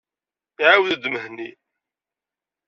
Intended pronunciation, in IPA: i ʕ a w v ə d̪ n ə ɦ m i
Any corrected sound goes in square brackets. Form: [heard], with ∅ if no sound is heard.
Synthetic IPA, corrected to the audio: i ʕ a w [ð] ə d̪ [m] ə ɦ [n] i